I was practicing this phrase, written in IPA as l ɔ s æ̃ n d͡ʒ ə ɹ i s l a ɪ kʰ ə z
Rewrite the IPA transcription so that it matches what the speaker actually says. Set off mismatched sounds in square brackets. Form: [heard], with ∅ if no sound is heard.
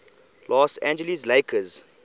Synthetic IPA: l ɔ s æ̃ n d͡ʒ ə [l] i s l [e] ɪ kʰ ə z